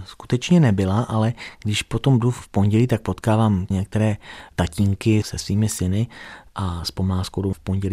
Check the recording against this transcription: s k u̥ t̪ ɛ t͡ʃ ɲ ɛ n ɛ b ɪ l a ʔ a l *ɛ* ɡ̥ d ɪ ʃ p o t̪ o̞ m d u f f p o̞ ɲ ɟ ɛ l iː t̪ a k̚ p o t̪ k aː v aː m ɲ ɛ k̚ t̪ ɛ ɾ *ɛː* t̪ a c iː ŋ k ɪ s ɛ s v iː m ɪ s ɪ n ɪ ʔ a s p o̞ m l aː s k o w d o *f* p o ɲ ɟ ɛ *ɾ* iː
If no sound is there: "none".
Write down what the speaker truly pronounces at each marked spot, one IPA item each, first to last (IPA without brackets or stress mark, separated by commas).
ɛ, ɛː, f, l